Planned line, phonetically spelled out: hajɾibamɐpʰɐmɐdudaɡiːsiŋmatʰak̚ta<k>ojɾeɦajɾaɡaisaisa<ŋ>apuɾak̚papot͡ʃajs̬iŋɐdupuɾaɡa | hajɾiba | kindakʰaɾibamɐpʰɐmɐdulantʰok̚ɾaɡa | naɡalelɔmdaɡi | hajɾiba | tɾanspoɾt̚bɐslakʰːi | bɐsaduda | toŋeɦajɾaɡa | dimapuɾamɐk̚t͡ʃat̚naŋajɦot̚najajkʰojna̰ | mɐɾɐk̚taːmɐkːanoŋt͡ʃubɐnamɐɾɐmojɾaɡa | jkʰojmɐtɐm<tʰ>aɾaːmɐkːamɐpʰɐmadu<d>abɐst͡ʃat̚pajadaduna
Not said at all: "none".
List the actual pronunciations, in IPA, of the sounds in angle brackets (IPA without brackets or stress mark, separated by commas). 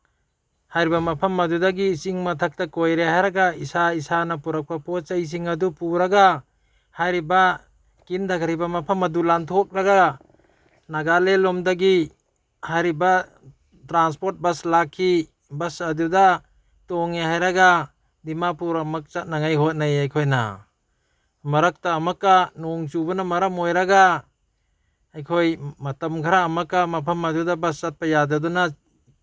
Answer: k, n, kʰ, d